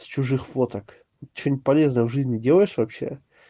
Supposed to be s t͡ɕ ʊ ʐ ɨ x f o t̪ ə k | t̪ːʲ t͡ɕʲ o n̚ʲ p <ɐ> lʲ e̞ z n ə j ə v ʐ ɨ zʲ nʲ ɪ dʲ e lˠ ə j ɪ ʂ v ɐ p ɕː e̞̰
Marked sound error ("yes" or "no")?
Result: no